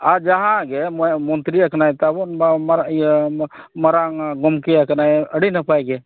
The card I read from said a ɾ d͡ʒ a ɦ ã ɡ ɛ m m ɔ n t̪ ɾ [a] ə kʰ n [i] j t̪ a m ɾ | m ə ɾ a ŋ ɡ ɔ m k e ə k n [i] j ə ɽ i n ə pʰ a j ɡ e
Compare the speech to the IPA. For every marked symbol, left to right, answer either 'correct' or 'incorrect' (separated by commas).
incorrect, incorrect, incorrect